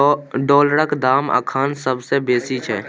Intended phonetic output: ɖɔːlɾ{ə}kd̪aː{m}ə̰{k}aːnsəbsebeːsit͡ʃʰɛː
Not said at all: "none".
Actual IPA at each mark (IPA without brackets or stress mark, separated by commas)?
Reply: ə, m, kʰ